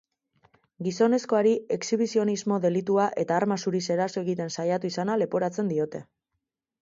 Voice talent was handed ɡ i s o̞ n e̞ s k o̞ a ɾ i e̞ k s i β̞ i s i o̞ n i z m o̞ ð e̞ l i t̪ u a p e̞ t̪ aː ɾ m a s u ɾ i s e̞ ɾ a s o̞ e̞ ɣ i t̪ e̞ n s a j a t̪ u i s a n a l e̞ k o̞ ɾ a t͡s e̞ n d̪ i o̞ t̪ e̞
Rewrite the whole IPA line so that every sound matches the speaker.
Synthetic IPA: ɡ i s o̞ n e̞ s k o̞ a ɾ i e̞ k s i β̞ i s i o̞ n i z m o̞ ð e̞ l i t̪ u a ʔ e̞ t̪ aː ɾ m a s u ɾ i s e̞ ɾ a s o̞ e̞ ɣ i t̪ e̞ n s a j a t̪ u i s a n a l e̞ p o̞ ɾ a t͡s e̞ n d̪ i o̞ t̪ e̞